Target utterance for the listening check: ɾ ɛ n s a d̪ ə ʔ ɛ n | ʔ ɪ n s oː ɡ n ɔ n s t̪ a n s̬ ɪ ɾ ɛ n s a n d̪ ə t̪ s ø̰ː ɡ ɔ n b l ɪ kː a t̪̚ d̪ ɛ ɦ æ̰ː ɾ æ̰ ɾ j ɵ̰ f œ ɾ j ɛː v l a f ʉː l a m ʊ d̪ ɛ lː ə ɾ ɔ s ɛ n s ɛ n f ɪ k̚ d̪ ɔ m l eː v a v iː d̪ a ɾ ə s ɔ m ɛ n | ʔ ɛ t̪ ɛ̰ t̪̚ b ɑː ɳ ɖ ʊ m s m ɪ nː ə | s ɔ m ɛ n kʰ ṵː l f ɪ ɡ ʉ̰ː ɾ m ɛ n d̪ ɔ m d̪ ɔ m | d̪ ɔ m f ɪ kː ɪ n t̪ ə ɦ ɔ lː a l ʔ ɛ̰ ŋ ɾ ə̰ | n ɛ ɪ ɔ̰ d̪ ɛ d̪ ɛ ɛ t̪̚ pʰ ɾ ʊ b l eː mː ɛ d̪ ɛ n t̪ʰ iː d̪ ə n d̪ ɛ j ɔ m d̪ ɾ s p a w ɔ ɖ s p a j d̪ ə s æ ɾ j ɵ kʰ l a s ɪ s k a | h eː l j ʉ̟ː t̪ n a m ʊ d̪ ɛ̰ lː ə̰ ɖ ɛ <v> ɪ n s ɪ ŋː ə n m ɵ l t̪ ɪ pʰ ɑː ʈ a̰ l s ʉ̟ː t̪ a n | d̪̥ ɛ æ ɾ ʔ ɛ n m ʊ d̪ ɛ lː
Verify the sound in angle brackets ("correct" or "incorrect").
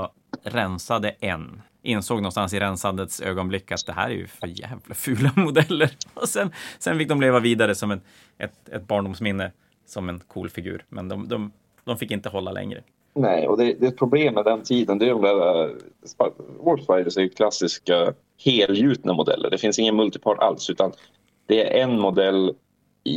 incorrect